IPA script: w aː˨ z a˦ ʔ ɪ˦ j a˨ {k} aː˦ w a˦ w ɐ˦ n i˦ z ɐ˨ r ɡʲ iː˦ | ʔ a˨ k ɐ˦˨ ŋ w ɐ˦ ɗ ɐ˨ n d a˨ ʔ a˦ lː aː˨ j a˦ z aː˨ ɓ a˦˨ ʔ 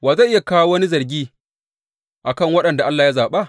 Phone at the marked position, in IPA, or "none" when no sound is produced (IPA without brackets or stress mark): k